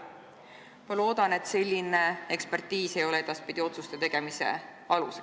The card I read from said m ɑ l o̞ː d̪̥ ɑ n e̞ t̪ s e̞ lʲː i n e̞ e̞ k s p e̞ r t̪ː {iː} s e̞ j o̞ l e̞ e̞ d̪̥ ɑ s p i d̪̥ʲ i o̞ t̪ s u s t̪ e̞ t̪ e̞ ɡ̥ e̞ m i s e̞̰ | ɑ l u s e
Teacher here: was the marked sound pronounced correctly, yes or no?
yes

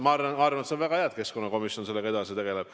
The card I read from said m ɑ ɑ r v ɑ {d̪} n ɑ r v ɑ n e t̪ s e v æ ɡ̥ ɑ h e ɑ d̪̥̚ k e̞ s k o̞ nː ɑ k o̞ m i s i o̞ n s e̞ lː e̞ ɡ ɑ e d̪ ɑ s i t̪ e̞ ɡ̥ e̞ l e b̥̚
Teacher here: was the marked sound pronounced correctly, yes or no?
no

